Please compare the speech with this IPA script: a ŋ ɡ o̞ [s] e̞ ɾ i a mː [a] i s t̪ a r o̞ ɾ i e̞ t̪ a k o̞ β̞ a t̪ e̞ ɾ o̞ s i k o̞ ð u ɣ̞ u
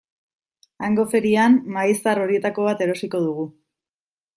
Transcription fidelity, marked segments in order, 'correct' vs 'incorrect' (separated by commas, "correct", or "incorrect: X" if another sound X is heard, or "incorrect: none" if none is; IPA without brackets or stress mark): incorrect: f, correct